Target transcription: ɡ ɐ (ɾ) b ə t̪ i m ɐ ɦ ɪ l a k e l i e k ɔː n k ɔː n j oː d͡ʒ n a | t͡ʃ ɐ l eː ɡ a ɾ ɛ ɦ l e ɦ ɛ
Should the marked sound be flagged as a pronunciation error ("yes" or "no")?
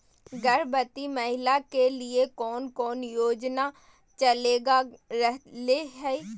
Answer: no